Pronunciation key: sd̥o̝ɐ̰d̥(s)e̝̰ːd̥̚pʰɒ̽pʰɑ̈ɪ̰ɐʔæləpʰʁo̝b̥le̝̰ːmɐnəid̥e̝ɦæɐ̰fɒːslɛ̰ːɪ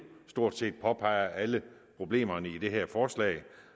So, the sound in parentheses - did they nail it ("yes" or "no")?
yes